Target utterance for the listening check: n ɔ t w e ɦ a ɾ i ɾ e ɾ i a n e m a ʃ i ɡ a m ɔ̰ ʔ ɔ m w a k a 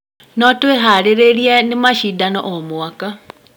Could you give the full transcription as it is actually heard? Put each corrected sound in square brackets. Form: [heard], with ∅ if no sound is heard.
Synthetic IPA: n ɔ t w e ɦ a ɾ [e] ɾ e ɾ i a n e m a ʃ i [d] a [n] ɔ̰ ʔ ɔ m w a k a